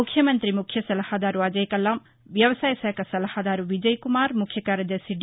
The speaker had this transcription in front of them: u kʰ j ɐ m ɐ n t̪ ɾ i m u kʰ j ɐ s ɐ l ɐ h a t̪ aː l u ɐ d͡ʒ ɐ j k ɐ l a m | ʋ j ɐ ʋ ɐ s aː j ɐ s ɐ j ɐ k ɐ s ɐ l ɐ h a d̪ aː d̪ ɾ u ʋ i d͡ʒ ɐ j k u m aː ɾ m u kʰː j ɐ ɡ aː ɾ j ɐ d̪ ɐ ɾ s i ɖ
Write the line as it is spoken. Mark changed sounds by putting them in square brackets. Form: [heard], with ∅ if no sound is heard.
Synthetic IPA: u kʰ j ɐ m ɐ n t̪ ɾ i m u kʰ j ɐ s ɐ l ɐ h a [d̪] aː [ɾ] u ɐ d͡ʒ ɐ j k ɐ l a m | ʋ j ɐ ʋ ɐ s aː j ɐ s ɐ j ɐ k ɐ s ɐ l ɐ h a d̪ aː [∅] ɾ u ʋ i d͡ʒ ɐ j k u m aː ɾ m u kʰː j ɐ [k] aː ɾ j ɐ d̪ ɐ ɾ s i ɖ

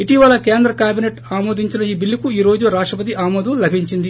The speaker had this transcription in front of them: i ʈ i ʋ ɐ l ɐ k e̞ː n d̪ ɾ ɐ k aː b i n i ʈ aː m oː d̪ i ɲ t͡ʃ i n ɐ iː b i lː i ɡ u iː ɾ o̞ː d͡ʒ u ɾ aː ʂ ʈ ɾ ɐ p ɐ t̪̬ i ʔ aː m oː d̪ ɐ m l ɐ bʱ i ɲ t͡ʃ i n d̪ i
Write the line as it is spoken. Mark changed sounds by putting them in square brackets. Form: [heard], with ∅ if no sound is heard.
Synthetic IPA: i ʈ i ʋ ɐ l ɐ k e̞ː n d̪ ɾ ɐ k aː b i n [e] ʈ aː m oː d̪ i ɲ t͡ʃ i n ɐ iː b i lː i [k] u iː ɾ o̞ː d͡ʒ u ɾ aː ʂ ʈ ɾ ɐ p ɐ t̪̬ i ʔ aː m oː d̪ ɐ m l ɐ bʱ i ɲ t͡ʃ i n d̪ i

